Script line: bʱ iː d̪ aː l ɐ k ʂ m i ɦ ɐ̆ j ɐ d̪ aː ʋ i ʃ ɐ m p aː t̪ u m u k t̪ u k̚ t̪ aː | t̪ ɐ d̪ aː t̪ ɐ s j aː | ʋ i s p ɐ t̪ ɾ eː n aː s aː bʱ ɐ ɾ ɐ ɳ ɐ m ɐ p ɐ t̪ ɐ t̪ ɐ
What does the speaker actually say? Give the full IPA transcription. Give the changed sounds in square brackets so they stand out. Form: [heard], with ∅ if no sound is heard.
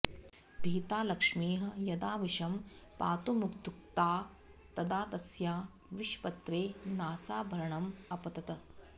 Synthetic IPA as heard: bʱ iː [t̪] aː l ɐ k ʂ m [iː] ɦ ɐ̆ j ɐ d̪ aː ʋ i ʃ ɐ m p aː t̪ u m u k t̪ u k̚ t̪ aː | t̪ ɐ d̪ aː t̪ ɐ s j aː | ʋ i [ʃ] p ɐ t̪ ɾ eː n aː s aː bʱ ɐ ɾ ɐ ɳ ɐ m ɐ p ɐ t̪ ɐ t̪ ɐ

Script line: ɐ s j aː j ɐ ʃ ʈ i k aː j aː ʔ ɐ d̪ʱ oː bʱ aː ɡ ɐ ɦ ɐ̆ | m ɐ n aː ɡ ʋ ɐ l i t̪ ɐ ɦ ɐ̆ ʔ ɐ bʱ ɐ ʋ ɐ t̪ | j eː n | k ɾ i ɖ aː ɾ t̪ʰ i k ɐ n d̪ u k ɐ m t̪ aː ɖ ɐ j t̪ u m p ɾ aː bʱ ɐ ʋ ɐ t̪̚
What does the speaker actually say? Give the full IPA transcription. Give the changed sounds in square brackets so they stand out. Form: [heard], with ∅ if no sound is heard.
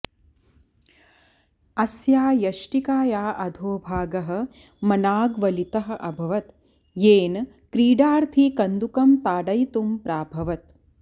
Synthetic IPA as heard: ɐ s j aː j ɐ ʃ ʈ i k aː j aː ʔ ɐ d̪ʱ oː bʱ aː ɡ ɐ ɦ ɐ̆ | m ɐ n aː ɡ ʋ ɐ l i t̪ ɐ ɦ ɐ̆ ʔ ɐ bʱ ɐ ʋ ɐ t̪ | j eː n | k ɾ [iː] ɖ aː ɾ t̪ʰ i k ɐ n d̪ u k ɐ m t̪ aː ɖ ɐ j t̪ u m p ɾ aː bʱ ɐ ʋ ɐ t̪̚

